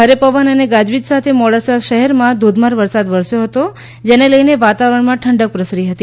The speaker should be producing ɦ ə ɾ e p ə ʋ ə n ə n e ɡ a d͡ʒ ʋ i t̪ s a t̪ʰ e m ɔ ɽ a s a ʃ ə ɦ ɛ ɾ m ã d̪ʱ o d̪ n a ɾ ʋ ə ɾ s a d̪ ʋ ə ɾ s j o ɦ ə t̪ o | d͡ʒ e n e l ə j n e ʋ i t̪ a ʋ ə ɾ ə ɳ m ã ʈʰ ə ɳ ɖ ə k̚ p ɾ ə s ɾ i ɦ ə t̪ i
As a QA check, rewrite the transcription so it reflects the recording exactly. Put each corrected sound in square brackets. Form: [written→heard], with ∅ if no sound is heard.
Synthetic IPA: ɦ ə ɾ e p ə ʋ ə n ə n e ɡ a d͡ʒ ʋ i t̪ s a t̪ʰ e m ɔ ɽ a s a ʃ ə ɦ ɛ ɾ m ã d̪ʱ o d̪ [n→m] a ɾ ʋ ə ɾ s a d̪ ʋ ə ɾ s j o ɦ ə t̪ o | d͡ʒ e n e l ə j n e ʋ [i→a] t̪ a ʋ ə ɾ ə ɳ m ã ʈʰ ə ɳ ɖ ə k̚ p ɾ ə s ɾ i ɦ ə t̪ i